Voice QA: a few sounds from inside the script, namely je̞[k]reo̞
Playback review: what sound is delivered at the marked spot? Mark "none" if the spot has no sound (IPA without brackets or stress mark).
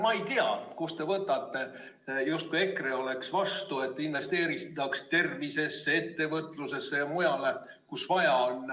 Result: k